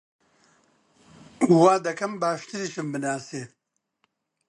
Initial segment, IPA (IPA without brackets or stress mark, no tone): w